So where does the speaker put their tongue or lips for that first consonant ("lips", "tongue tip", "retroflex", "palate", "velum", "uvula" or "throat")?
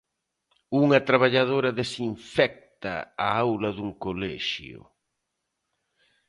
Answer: velum